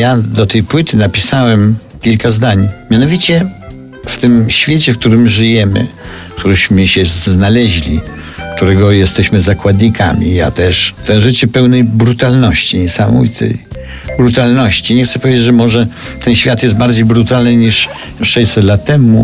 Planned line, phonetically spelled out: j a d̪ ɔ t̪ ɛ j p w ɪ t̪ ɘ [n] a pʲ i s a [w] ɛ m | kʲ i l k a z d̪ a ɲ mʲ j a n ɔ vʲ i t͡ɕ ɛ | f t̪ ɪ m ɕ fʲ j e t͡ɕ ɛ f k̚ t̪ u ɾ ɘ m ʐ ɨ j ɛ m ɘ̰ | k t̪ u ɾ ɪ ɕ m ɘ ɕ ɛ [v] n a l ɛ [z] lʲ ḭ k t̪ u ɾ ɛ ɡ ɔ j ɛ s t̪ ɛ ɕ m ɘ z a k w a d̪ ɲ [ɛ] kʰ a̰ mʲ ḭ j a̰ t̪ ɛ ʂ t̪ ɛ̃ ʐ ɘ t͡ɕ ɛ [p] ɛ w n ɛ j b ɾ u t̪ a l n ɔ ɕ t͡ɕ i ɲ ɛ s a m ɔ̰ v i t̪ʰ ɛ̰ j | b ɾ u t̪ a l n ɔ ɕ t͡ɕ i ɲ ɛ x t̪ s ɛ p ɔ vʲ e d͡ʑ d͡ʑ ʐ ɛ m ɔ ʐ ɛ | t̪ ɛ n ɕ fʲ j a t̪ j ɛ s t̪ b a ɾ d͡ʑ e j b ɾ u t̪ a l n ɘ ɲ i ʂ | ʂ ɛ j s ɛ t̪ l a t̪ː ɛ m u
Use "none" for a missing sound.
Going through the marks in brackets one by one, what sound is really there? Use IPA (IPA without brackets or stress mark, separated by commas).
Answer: n, w, z, ʑ, i, p